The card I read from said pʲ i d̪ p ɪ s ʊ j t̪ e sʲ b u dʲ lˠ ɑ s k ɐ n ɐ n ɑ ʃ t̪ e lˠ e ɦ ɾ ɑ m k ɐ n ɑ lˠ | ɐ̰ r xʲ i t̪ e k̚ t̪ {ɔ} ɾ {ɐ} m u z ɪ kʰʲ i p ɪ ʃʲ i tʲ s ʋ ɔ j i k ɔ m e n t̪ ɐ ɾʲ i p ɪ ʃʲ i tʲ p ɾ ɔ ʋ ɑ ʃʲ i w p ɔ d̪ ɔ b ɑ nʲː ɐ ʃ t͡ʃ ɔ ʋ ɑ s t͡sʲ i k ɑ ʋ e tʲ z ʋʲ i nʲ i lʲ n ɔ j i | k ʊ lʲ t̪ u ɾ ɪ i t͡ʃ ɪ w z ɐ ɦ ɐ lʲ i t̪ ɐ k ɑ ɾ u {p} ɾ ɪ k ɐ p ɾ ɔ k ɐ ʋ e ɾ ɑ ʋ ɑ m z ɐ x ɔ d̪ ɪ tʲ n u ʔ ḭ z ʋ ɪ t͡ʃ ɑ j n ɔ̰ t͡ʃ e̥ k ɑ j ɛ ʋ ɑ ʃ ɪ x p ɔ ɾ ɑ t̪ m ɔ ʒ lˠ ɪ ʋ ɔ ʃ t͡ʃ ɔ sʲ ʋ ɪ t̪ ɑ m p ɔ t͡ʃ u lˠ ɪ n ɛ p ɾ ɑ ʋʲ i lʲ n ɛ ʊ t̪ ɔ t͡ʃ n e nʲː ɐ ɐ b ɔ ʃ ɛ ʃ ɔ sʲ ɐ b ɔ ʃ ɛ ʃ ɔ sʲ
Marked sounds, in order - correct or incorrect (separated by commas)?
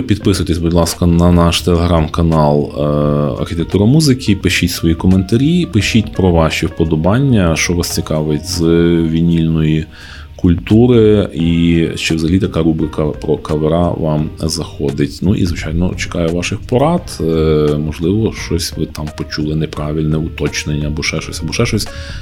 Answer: incorrect, correct, incorrect